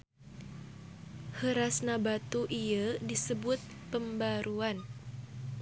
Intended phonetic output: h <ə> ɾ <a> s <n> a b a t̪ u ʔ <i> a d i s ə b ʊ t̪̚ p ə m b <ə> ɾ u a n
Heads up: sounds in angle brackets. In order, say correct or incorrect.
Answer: correct, correct, correct, correct, incorrect: a

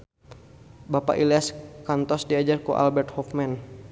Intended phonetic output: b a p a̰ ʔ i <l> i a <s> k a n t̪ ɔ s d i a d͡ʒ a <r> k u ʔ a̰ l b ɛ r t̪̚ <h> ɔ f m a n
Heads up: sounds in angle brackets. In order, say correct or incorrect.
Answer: correct, correct, correct, correct

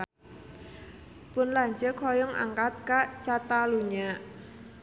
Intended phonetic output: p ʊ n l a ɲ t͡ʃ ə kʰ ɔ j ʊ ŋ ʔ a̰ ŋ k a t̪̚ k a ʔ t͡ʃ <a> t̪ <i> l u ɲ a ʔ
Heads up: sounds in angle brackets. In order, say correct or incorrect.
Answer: correct, incorrect: a

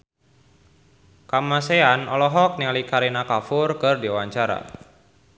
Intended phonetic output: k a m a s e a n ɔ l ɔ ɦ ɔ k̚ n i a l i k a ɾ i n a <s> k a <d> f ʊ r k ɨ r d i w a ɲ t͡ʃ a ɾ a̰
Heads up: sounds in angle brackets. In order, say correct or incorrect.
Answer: incorrect: none, incorrect: none

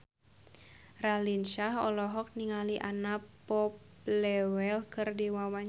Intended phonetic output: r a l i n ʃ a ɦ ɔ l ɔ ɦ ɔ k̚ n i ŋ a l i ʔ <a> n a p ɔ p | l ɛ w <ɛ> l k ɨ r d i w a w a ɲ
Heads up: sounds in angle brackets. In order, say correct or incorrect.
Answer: correct, correct

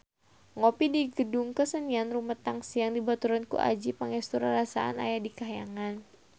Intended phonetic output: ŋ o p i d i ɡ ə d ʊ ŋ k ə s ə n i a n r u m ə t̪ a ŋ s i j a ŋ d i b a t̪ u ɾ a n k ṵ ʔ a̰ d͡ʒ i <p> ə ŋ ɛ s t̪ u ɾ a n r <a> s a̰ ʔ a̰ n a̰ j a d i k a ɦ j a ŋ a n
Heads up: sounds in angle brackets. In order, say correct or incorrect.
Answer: correct, correct

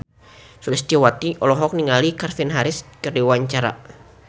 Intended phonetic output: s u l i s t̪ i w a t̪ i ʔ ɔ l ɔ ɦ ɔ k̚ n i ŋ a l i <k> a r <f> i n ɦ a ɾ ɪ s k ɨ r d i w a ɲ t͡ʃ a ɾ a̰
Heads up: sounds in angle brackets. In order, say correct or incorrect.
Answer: correct, correct

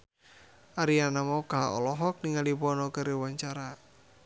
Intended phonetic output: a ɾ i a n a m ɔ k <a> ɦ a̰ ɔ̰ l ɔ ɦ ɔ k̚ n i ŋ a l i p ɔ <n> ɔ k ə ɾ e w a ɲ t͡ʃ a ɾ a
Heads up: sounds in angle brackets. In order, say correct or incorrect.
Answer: correct, correct

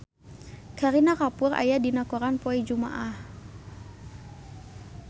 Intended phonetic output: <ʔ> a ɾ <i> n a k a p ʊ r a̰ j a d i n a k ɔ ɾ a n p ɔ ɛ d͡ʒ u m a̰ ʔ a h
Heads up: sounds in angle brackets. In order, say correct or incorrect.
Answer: incorrect: k, correct

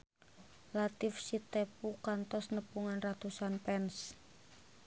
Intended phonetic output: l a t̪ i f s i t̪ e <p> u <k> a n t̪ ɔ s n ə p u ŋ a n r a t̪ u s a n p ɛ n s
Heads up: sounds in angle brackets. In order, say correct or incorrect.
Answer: correct, correct

